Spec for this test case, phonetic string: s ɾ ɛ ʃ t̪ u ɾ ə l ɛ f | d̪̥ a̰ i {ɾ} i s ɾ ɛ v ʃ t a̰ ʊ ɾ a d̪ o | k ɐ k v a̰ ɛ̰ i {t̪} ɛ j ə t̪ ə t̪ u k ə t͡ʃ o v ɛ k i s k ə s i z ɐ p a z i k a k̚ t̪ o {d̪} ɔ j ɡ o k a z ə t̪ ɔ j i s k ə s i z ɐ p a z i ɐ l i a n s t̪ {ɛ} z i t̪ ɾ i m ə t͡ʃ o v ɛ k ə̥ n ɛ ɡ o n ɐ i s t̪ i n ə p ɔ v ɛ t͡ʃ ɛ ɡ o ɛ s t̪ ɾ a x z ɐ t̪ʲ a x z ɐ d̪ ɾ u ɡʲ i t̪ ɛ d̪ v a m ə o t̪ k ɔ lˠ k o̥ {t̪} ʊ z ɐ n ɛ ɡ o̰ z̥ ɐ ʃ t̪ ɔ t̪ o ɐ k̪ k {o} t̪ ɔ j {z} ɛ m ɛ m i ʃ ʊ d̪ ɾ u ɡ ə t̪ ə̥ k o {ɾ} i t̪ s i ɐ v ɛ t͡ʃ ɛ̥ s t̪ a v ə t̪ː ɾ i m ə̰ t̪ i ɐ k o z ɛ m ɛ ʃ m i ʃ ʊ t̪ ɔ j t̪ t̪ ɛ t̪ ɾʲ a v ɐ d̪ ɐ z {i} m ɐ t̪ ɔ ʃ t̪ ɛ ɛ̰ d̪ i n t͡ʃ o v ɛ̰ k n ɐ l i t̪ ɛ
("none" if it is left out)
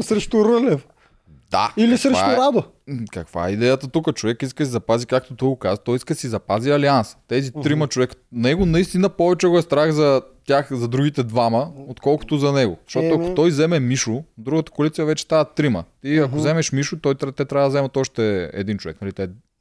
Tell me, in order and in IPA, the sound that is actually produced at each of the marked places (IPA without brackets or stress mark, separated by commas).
l, d̪, t̪, ɛ, t̪, o, z, l, ɛ